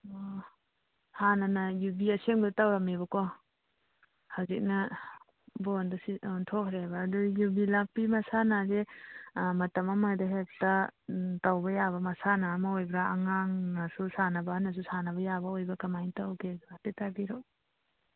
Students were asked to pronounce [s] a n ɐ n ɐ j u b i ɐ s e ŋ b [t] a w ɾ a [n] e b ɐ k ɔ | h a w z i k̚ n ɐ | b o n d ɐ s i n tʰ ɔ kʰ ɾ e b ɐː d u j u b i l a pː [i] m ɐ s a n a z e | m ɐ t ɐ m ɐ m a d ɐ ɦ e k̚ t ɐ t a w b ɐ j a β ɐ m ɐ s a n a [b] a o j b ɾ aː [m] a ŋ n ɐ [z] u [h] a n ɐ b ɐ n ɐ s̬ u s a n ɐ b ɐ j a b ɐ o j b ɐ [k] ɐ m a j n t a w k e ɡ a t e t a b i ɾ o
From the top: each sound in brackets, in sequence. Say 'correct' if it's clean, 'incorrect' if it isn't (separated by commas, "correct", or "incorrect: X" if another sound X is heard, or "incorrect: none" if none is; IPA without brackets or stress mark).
incorrect: h, correct, incorrect: m, correct, incorrect: m, incorrect: ŋ, incorrect: s, incorrect: s, correct